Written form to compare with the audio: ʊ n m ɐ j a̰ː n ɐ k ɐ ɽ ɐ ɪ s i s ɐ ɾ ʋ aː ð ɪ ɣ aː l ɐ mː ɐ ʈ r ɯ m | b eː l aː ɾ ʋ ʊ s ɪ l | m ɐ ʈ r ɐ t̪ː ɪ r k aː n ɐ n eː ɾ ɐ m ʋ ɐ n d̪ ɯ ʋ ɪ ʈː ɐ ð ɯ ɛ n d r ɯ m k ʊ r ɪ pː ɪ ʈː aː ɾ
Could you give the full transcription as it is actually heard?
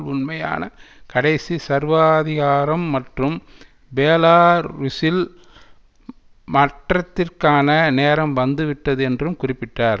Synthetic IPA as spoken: ʊ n m ɐ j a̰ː n ɐ k ɐ ɽ ɐ ɪ s i s ɐ ɾ ʋ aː ð ɪ ɣ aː ɾ ɐ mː ɐ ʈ r ɯ m | b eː l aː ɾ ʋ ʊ s ɪ l | m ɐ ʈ r ɐ t̪ː ɪ r k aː n ɐ n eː ɾ ɐ m ʋ ɐ n d̪ ɯ ʋ ɪ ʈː ɐ ð ɯ ɛ n d r ɯ m k ʊ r ɪ pː ɪ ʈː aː ɾ